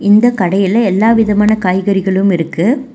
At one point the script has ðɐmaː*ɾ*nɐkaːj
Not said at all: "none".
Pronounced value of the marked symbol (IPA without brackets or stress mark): none